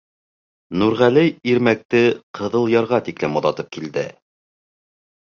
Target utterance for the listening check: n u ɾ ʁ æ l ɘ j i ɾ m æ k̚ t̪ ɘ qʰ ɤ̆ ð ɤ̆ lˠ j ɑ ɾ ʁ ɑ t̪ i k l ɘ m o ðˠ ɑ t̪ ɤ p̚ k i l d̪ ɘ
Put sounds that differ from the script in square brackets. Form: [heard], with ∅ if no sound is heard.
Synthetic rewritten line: n u ɾ ʁ æ l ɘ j i ɾ m æ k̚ t̪ ɘ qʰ ɤ̆ ð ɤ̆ lˠ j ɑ ɾ ʁ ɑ t̪ i k l ɘ m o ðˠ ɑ t̪ ɤ p̚ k i l d̪ ɘ